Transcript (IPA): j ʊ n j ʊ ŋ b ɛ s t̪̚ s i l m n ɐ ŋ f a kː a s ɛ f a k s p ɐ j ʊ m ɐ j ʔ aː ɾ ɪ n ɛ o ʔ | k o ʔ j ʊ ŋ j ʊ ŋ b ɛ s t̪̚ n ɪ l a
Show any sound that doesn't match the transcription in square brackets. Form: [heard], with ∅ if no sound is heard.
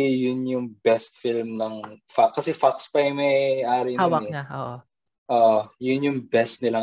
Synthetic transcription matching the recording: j ʊ n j ʊ ŋ b ɛ s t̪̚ [f] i l m n ɐ ŋ f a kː [ɐ] s ɛ f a k s p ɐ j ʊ m ɐ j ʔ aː ɾ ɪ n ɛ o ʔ | [ʔ] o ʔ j ʊ [n] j ʊ ŋ b ɛ s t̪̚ n ɪ l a